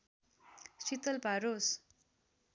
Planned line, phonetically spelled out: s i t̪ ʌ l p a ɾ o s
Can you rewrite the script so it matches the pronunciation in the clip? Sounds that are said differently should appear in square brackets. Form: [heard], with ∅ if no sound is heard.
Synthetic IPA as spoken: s i t̪ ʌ l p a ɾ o s